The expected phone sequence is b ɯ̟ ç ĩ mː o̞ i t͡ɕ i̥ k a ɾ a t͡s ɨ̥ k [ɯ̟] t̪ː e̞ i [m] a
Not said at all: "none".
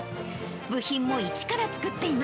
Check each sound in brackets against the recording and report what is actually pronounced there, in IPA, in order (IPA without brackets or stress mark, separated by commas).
ɯ̟, m